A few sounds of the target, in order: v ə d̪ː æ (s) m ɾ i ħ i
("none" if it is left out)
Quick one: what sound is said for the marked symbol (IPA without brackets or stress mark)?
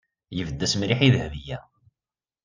s